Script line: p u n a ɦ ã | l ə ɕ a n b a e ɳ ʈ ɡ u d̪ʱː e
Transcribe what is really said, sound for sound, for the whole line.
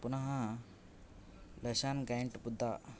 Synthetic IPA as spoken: p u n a ɦ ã | l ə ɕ a n ɡ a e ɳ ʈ b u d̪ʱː a